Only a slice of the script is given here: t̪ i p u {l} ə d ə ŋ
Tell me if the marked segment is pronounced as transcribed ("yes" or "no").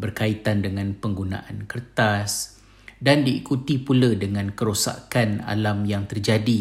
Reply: yes